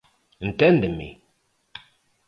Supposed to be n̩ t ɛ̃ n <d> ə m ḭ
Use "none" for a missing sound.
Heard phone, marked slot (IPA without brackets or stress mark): d